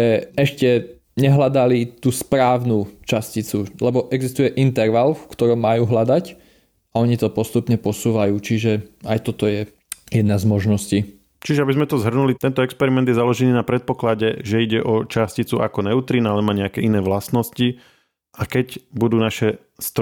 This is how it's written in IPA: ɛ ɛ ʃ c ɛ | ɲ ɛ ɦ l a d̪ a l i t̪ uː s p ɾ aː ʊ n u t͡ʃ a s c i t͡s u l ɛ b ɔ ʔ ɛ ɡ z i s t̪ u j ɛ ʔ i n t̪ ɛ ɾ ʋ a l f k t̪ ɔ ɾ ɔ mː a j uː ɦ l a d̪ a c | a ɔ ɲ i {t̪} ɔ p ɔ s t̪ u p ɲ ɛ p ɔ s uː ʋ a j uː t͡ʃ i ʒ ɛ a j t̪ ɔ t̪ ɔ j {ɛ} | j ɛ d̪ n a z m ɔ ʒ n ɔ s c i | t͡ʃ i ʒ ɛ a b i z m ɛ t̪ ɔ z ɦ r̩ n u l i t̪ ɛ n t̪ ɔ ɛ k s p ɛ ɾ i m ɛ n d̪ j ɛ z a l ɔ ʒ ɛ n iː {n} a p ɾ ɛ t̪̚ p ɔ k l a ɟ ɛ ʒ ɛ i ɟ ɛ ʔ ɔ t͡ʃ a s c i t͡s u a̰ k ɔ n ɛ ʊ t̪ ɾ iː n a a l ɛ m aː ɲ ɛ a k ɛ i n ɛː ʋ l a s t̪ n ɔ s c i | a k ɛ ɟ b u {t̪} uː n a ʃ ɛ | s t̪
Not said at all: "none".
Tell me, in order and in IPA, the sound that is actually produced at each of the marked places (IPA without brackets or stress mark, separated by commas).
t̪, ɛ, n, d̪